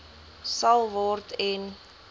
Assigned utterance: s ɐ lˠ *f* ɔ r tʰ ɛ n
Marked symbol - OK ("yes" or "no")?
no